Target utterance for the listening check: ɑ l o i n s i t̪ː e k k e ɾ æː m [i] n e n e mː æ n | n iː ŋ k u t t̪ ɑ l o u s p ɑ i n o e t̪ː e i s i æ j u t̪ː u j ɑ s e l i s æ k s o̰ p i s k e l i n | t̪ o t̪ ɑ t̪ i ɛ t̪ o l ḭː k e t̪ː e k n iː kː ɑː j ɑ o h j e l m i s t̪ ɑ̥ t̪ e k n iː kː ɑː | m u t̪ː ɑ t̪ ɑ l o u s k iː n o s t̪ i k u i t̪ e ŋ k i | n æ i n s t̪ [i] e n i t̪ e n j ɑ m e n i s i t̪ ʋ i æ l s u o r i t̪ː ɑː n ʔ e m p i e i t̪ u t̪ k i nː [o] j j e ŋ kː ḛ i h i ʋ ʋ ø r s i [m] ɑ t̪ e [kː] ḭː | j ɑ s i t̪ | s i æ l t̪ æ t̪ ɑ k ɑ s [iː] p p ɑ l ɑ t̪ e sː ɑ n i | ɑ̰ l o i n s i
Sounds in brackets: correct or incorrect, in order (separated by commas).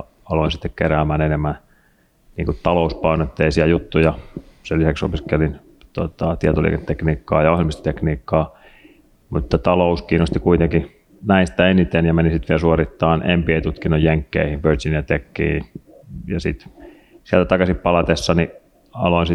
incorrect, incorrect, correct, incorrect, correct, incorrect